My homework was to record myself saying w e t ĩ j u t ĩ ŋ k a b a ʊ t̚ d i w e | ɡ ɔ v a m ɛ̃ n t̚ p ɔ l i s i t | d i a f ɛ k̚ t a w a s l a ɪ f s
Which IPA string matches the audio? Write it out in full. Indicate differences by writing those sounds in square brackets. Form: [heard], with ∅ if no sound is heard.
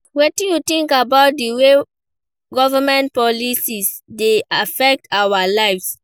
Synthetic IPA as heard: w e t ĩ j u t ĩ ŋ k a b a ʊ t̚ d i w e | ɡ ɔ v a m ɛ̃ n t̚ p ɔ l i s i [s] | d [e] a f ɛ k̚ t a w a [∅] l a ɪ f s